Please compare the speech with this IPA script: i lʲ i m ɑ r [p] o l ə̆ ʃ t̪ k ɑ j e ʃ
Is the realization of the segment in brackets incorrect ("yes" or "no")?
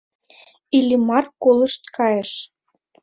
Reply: yes